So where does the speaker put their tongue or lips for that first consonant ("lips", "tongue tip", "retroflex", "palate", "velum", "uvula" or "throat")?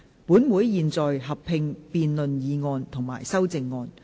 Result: lips